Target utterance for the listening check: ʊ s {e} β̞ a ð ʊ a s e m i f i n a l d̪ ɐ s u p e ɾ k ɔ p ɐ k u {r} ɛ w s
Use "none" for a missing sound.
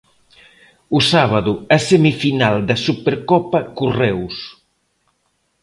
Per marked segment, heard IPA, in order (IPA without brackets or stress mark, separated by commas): a, r